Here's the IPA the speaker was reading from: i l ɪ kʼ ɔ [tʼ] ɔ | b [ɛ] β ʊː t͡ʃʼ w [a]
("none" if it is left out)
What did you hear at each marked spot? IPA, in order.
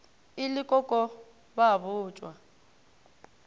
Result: kʼ, a, a

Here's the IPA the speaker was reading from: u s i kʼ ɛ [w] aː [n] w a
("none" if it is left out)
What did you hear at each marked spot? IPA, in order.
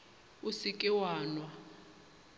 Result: w, n

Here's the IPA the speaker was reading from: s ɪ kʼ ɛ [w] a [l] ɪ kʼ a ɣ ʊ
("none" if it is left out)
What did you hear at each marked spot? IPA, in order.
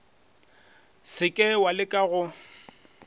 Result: w, l

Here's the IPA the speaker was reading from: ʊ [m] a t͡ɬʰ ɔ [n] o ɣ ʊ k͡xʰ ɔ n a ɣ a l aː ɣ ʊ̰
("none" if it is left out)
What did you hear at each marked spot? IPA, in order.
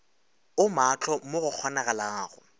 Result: m, m

